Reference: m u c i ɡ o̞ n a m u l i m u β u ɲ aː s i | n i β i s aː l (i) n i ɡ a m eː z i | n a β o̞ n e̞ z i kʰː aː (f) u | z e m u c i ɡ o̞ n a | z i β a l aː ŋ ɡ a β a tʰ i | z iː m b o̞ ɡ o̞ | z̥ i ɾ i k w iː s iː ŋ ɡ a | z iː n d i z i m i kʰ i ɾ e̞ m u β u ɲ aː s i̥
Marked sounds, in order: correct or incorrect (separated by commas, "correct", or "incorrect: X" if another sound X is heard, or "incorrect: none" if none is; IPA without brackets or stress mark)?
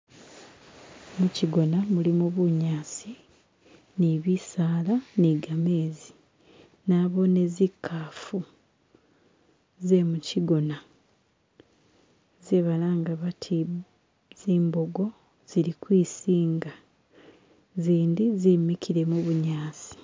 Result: incorrect: a, correct